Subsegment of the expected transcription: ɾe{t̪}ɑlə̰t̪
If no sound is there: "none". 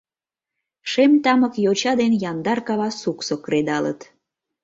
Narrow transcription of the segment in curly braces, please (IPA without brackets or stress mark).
d̪